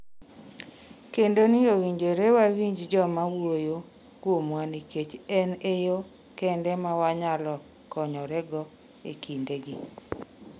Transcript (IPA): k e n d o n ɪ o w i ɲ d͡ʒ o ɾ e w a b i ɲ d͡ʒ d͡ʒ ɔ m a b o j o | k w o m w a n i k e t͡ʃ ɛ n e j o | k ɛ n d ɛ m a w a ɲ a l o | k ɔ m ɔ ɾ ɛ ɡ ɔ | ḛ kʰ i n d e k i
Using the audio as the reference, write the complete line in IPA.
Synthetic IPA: k e n d o n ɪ o w i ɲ d͡ʒ o ɾ e w a w i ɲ d͡ʒ d͡ʒ ɔ m a w o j o | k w o m w a n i k e t͡ʃ ɛ n e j o | k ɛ n d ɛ m a w a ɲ a l ɔ | k ɔ ɲ ɔ ɾ ɛ ɡ ɔ | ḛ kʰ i n d e ɡ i

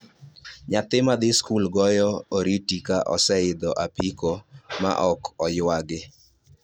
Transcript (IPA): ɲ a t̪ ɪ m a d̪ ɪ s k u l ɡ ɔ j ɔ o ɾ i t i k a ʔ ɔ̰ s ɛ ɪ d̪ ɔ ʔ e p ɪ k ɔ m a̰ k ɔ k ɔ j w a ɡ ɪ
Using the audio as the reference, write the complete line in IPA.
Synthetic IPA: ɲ a t̪ ɪ m a d̪ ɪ s k u l ɡ ɔ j ɔ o ɾ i t i k a ʔ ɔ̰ s ɛ ɪ d̪ ɔ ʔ a p i k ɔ m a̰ ʔ ɔ k ɔ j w a ɡ ɪ

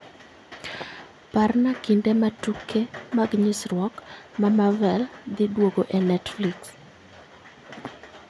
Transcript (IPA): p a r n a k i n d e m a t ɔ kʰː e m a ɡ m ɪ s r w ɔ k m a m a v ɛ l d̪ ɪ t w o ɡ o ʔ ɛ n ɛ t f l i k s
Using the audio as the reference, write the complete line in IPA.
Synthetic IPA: p a r n a k i n d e m a t u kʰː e m a ɡ ɲ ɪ s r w ɔ k m a m a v ɛ l d̪ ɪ d w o ɡ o ʔ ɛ n ɛ t f l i k s

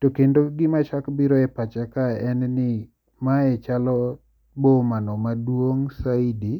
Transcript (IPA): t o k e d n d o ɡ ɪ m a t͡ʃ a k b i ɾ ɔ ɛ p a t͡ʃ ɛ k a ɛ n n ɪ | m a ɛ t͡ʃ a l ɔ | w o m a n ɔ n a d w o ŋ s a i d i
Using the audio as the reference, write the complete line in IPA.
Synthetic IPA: t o k e n d o ɡ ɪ m a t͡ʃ a k b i ɾ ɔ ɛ p a t͡ʃ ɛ k a ɛ n n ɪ | m a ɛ t͡ʃ a l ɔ | b o m a n ɔ m a d w o ŋ s a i d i

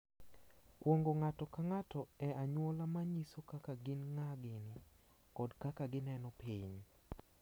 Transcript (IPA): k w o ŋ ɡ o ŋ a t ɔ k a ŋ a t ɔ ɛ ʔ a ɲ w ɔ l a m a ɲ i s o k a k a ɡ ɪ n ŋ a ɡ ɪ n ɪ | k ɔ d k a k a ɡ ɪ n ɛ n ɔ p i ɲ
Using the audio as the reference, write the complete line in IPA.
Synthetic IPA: k w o ŋ ɡ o ŋ a t ɔ k a ŋ a t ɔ ɛ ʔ a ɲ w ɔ l a m a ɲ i s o k a k a ɡ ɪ n ŋ a ɡ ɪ n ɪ | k ɔ d k a k a ɡ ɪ n ɛ n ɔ p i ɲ

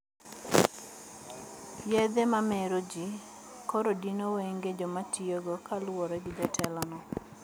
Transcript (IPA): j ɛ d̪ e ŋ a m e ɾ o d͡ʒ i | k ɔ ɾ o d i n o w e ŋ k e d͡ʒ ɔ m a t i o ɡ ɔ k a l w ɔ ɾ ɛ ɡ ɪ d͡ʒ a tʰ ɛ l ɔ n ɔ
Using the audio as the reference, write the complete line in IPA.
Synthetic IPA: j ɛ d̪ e m a m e ɾ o d͡ʒ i | k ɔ ɾ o d i n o w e ŋ ɡ e d͡ʒ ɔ m a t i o ɡ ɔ k a l w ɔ ɾ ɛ ɡ ɪ d͡ʒ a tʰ ɛ l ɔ n ɔ

